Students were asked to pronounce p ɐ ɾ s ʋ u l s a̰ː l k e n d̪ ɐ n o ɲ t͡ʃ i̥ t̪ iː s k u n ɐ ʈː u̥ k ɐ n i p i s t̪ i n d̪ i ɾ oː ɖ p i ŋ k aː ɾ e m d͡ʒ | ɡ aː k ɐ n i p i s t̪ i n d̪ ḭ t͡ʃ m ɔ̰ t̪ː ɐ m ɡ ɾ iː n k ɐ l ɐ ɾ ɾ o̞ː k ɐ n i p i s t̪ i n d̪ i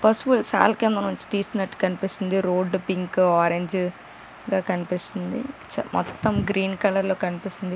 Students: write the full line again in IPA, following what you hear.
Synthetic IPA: p ɐ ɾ s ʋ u l s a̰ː l k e n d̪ ɐ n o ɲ t͡ʃ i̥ t̪ iː s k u n ɐ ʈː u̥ k ɐ n i p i s t̪ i n d̪ i ɾ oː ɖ p i ŋ k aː ɾ e ɲ d͡ʒ | ɡ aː k ɐ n i p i s t̪ i n d̪ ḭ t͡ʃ m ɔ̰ t̪ː ɐ m ɡ ɾ iː n k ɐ l ɐ ɾ l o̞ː k ɐ n i p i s t̪ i n d̪ i